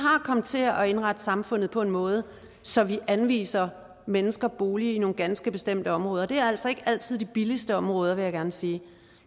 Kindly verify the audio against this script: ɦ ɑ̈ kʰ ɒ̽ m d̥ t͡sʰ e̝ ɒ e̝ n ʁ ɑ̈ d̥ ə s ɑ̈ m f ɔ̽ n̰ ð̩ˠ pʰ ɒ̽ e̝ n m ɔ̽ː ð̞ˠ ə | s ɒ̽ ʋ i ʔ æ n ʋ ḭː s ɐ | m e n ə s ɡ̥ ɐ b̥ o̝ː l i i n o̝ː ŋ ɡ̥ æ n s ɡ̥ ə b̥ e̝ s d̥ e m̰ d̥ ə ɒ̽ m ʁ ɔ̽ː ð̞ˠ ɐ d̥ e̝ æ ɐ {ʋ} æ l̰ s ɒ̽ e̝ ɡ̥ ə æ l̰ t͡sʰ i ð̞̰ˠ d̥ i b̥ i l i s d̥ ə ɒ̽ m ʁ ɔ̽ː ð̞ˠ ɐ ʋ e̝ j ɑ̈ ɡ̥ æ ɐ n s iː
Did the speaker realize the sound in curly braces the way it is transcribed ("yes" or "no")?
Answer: no